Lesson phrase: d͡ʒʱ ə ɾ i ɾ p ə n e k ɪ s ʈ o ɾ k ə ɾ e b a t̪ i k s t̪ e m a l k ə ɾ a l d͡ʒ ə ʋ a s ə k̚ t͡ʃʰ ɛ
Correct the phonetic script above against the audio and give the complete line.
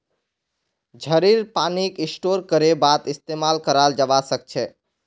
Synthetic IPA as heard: d͡ʒʱ ə ɾ i ɾ p a n i k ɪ s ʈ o ɾ k ə ɾ e b a t̪ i s t̪ e m a l k ə ɾ a l d͡ʒ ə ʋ a s ə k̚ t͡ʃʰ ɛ